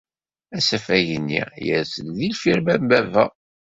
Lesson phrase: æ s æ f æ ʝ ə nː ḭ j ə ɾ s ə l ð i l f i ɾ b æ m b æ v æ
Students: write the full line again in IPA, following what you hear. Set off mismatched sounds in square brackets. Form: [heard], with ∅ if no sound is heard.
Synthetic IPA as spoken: æ s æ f æ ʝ ə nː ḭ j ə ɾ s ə l ð i l f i ɾ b æ m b æ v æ